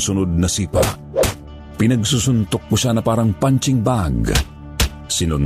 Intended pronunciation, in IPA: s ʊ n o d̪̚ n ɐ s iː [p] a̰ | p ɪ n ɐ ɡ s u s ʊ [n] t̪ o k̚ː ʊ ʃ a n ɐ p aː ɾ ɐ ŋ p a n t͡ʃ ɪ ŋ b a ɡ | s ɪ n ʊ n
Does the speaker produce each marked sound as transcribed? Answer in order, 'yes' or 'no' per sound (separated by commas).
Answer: yes, yes